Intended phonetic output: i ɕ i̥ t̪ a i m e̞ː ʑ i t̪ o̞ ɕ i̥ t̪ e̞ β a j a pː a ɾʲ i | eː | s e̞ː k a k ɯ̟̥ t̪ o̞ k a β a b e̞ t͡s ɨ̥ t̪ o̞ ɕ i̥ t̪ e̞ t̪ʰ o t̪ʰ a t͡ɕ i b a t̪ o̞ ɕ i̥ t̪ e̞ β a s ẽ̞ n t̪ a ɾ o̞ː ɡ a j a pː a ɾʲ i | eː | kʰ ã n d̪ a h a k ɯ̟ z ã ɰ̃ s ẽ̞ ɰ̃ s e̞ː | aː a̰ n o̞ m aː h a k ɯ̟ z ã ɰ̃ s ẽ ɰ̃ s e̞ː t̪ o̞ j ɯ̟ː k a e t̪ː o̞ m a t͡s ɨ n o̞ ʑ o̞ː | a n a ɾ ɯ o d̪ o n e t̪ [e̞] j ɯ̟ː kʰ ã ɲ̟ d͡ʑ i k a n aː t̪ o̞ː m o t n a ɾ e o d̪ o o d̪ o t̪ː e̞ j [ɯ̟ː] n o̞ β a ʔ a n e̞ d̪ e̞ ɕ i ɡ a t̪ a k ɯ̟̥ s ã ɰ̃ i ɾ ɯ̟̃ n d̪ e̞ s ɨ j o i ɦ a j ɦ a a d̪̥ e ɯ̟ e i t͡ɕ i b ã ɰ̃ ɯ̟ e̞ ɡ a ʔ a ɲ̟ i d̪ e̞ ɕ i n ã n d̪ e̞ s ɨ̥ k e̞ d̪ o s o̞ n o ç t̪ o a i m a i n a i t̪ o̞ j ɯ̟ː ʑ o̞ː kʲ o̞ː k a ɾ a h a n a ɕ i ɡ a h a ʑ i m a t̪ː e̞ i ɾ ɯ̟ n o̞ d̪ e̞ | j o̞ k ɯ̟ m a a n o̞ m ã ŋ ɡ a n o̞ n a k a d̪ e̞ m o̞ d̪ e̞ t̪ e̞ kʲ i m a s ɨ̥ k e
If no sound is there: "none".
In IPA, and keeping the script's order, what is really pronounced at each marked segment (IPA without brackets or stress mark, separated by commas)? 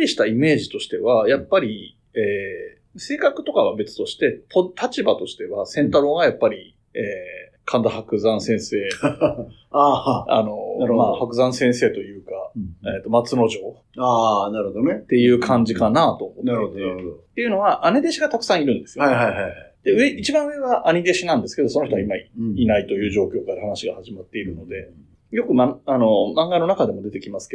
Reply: e̞, ɯ̟